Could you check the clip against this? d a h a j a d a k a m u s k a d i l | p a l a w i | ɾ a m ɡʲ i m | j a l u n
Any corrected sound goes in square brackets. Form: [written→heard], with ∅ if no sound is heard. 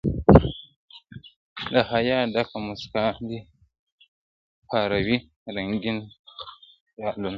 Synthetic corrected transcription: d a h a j a d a k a m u s k a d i [l→∅] | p a [l→ɾ] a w i | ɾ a [m→ŋ] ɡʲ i [m→n] | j a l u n